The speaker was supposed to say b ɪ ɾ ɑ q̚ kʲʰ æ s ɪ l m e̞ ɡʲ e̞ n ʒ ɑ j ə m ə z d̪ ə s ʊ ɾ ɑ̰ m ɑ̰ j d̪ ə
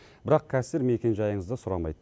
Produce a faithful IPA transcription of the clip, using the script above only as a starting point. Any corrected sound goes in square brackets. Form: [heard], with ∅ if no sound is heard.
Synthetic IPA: b ɪ ɾ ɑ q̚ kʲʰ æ s ɪ [ɾ] m e̞ [kʲ] e̞ n ʒ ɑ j ə [ɴ] ə z d̪ ə s ʊ ɾ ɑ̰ m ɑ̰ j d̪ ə